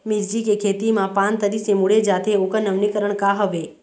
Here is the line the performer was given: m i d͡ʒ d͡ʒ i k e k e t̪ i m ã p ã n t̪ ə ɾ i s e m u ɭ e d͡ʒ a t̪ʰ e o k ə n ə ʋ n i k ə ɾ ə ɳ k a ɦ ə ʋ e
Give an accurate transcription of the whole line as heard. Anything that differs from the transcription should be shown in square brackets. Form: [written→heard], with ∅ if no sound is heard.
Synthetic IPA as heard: m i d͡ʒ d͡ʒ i k e [k→kʰ] e t̪ i m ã p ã n t̪ ə ɾ i s e m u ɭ e d͡ʒ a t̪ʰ e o k ə n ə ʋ n i k ə ɾ ə ɳ k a ɦ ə ʋ e